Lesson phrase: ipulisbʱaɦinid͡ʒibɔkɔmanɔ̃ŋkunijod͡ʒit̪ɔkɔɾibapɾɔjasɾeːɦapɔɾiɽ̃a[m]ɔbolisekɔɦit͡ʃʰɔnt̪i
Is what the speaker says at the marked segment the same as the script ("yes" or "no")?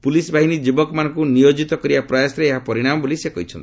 yes